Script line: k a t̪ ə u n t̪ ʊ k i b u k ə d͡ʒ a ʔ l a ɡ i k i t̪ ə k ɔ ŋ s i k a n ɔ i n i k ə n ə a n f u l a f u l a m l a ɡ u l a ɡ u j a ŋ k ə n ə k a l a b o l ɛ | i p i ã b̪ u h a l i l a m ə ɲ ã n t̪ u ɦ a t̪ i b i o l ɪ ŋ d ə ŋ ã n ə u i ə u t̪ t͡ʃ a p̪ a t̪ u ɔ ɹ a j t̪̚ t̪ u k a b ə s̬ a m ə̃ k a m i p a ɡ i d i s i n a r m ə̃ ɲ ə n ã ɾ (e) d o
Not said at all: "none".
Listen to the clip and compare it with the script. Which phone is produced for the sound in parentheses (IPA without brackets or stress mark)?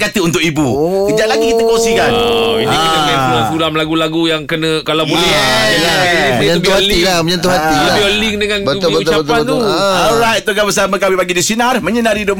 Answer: i